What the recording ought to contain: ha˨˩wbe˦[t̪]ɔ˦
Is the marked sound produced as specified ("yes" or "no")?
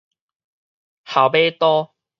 yes